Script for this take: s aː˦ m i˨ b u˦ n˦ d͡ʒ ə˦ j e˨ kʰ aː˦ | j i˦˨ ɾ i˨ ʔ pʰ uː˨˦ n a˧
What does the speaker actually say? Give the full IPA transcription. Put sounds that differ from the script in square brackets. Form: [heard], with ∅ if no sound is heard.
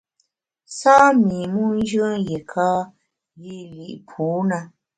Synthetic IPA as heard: s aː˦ m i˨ [m] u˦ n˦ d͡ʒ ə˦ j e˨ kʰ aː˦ | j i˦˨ [l] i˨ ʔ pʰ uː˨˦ n a˧